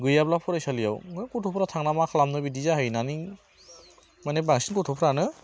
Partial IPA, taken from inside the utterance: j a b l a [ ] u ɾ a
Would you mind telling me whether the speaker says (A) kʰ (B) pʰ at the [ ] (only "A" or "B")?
B